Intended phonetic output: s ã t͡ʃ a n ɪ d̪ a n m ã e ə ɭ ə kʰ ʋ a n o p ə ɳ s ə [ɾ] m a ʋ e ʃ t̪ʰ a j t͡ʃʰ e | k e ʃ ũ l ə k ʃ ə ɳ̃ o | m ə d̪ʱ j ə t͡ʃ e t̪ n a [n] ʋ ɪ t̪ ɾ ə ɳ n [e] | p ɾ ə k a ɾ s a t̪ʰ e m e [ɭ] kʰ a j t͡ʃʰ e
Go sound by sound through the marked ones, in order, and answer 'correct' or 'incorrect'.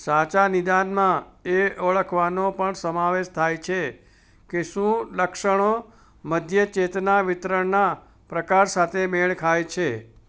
incorrect: none, incorrect: none, incorrect: a, correct

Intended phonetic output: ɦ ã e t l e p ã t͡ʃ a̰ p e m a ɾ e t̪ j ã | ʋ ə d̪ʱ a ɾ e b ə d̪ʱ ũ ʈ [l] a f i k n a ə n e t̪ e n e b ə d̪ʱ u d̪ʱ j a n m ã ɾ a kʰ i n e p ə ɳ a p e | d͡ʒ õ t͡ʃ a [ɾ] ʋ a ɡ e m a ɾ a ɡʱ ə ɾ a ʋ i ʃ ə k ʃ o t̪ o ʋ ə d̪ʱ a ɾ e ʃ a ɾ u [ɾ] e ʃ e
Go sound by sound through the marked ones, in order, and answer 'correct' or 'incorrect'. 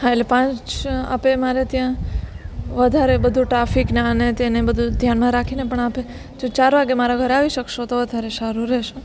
incorrect: ɾ, correct, correct

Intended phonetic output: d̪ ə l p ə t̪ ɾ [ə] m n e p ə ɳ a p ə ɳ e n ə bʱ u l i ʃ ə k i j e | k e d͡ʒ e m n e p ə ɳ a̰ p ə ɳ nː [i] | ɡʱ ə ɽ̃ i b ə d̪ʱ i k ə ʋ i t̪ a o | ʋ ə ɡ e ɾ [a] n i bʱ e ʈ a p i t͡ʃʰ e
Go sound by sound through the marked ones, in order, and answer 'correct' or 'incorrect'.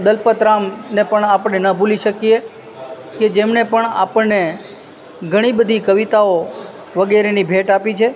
incorrect: a, incorrect: e, incorrect: e

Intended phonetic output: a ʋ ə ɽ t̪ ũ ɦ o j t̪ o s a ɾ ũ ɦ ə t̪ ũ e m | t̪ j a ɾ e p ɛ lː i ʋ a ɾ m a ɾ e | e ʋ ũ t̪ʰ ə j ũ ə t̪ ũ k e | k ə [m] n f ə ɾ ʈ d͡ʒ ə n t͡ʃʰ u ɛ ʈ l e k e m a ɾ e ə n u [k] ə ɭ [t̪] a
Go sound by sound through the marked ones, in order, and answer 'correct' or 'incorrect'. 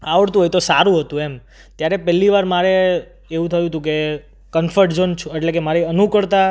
incorrect: none, correct, correct

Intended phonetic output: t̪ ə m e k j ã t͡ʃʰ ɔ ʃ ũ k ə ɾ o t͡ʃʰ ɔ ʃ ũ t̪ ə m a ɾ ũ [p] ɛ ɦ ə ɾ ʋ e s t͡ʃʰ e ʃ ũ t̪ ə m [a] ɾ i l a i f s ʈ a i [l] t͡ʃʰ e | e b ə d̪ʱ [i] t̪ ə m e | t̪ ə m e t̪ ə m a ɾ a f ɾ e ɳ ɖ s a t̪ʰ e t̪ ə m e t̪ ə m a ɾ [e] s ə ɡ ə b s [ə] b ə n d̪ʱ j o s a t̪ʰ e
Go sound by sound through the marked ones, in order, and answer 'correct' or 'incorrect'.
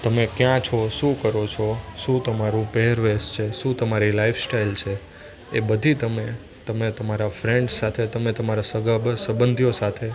correct, correct, correct, correct, incorrect: a, correct

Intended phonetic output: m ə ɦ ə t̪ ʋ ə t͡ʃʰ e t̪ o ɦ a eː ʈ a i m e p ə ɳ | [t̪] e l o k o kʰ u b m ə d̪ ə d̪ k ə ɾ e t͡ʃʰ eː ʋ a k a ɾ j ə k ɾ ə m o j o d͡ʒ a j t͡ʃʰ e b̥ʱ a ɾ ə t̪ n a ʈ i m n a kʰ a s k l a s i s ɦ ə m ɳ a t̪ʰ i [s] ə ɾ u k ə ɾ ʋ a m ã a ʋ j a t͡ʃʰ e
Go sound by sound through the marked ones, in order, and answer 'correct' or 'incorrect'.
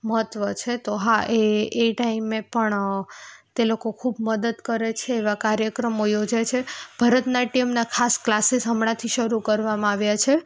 correct, incorrect: ʃ

